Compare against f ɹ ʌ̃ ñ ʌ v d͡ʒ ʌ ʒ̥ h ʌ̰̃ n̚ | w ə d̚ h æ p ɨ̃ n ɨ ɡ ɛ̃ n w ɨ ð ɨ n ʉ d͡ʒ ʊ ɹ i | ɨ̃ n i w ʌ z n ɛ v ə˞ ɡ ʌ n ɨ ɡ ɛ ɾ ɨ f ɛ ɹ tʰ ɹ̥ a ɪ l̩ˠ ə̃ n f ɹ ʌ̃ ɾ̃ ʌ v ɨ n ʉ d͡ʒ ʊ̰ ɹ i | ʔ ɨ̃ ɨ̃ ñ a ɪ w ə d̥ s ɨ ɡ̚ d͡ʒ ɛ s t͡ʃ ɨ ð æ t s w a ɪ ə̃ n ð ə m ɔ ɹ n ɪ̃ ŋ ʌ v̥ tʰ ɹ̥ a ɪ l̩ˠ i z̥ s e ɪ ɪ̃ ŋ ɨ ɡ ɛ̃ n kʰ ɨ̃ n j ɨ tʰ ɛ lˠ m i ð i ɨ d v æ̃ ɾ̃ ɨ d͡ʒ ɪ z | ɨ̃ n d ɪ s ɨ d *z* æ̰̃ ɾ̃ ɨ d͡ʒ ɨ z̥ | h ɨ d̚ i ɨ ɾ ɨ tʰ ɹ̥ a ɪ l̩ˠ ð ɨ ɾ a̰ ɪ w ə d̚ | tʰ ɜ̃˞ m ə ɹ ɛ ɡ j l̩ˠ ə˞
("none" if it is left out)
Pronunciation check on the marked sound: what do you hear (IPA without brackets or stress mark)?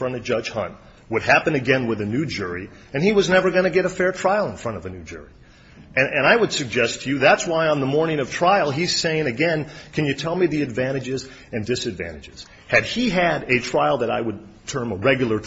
v